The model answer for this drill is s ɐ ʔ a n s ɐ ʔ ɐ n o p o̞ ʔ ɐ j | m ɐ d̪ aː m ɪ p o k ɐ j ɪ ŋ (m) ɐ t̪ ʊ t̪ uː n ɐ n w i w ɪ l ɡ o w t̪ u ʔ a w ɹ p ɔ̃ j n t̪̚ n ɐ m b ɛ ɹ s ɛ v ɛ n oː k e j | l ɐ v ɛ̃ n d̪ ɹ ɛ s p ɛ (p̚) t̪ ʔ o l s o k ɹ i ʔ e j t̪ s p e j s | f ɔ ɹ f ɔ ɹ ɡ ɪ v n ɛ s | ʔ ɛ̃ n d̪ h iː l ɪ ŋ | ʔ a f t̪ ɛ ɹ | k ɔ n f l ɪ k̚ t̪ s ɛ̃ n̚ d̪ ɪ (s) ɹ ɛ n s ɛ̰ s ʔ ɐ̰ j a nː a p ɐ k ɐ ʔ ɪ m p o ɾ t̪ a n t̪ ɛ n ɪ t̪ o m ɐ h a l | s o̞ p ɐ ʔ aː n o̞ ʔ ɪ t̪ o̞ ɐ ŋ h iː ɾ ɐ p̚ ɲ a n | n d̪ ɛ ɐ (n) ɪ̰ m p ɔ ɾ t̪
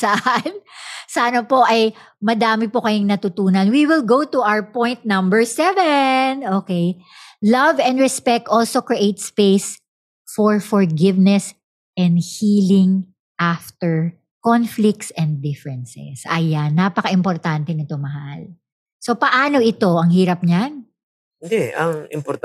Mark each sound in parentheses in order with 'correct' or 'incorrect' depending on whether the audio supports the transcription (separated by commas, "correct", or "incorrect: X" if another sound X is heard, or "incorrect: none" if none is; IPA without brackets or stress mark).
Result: incorrect: n, incorrect: k̚, incorrect: f, incorrect: ŋ